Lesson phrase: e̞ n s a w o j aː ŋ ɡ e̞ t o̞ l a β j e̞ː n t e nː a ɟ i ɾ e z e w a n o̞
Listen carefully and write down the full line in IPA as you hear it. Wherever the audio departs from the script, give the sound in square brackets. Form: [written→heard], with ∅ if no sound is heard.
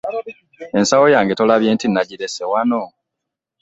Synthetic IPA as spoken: e̞ n s a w o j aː ŋ ɡ e̞ t o̞ l a β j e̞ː n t [e→i] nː a ɟ i ɾ e [z→s] e w a n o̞